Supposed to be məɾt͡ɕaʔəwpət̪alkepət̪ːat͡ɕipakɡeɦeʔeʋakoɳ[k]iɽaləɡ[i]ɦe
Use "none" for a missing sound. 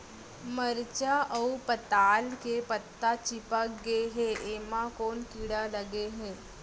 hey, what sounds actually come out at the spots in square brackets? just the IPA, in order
k, e

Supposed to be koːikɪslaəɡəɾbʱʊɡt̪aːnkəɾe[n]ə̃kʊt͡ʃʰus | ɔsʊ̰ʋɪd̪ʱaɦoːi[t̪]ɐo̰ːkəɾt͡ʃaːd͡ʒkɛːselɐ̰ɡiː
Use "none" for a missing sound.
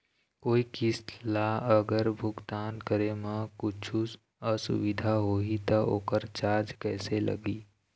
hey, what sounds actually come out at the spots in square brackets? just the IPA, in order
m, t̪

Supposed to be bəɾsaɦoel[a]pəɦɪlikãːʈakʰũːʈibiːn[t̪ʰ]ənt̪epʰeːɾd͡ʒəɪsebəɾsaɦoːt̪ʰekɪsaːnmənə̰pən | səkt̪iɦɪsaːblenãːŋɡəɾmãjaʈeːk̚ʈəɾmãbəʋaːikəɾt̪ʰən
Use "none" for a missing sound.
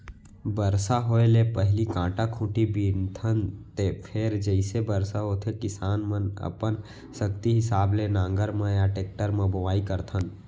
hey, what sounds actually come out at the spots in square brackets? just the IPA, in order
e, t̪ʰ

